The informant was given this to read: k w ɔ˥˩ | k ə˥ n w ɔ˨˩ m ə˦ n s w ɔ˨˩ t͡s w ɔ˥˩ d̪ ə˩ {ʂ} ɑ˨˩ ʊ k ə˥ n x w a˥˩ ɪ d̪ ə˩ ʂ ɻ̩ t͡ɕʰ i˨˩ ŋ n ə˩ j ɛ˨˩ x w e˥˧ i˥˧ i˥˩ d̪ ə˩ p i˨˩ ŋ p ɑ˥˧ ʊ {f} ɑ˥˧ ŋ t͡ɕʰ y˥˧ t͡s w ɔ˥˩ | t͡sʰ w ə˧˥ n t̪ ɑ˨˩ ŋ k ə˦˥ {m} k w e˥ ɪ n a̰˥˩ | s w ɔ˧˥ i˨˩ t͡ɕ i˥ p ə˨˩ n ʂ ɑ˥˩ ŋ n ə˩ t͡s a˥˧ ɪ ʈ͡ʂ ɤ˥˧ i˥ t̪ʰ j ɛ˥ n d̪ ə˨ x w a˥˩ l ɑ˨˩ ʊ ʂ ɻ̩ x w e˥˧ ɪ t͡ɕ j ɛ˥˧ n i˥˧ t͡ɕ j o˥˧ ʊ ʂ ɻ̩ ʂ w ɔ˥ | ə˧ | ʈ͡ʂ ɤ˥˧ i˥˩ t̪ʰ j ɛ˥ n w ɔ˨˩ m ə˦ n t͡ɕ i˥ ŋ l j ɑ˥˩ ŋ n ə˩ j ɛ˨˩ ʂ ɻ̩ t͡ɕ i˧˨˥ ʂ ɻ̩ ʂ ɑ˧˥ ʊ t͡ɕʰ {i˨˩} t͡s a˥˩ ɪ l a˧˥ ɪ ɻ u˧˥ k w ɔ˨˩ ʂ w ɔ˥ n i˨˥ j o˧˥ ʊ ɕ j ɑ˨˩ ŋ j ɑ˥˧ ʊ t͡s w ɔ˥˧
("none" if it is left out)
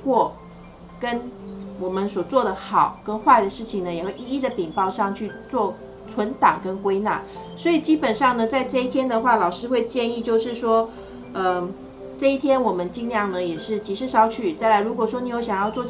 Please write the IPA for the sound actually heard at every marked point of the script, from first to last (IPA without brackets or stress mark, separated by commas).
x, ʂ, n, y˨˩